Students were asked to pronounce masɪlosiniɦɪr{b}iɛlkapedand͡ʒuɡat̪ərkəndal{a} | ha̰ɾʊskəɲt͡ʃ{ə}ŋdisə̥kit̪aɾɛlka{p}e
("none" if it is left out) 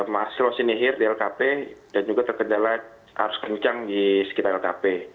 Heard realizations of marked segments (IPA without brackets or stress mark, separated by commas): d, a, a, p